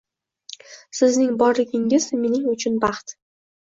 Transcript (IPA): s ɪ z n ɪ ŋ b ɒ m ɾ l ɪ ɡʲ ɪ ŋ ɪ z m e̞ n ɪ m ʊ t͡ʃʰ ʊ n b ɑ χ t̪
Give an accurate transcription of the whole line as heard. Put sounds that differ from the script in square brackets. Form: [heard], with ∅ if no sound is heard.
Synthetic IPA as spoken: s ɪ z n ɪ ŋ b ɒ [∅] ɾ l ɪ ɡʲ ɪ ŋ ɪ z m e̞ n ɪ [ŋ] ʊ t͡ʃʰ ʊ n b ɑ χ t̪